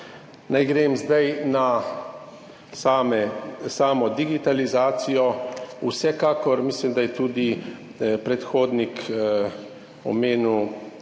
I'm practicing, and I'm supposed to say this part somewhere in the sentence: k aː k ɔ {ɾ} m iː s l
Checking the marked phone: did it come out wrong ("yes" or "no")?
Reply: no